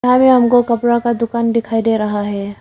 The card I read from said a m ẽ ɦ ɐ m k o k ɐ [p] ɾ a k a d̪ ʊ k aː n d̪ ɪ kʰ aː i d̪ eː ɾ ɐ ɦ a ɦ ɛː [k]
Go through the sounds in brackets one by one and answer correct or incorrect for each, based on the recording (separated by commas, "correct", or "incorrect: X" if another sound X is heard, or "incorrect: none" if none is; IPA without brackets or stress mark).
correct, incorrect: none